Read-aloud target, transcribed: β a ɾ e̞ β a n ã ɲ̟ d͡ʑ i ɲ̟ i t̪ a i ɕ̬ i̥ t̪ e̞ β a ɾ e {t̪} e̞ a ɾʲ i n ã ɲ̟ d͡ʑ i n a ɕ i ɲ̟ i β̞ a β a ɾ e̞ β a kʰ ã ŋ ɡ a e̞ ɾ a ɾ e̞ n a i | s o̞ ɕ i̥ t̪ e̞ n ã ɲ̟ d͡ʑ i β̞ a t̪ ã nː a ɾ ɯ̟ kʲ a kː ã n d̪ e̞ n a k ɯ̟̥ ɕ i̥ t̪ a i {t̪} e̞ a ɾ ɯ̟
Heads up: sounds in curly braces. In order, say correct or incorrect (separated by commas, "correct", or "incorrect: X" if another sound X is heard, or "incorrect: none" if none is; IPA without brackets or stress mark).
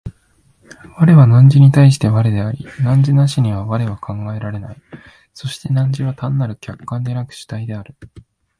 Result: incorrect: d̪, incorrect: d̪